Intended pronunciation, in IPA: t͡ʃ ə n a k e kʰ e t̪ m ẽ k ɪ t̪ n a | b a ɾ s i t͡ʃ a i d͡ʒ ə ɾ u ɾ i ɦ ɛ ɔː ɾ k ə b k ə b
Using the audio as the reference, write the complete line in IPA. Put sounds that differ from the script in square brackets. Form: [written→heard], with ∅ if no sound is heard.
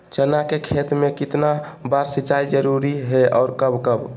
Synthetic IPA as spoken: t͡ʃ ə n a k e kʰ e t̪ m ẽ k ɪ t̪ n a | b a ɾ s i t͡ʃ a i d͡ʒ ə ɾ u ɾ i ɦ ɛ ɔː ɾ k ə b k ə b